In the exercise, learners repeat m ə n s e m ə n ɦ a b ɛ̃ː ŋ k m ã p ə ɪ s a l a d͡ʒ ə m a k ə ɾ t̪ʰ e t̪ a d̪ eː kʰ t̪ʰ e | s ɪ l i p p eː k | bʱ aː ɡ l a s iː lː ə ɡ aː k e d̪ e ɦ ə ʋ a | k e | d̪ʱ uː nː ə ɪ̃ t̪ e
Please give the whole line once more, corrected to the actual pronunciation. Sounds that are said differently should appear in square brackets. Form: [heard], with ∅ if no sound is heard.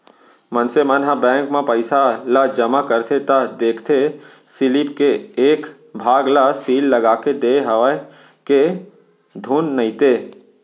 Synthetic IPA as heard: m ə n s e m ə n ɦ a b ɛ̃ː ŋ k m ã p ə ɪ s a l a d͡ʒ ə m a k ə ɾ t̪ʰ e t̪ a d̪ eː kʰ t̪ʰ e | s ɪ l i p [k] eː k | bʱ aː ɡ l a s iː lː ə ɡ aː k e d̪ e ɦ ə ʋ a | k e | d̪ʱ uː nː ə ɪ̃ t̪ e